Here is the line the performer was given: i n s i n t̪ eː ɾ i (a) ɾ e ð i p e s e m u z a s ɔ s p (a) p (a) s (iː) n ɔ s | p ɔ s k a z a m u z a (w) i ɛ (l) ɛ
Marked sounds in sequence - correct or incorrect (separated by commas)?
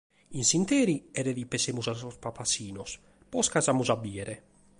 incorrect, correct, correct, correct, incorrect, incorrect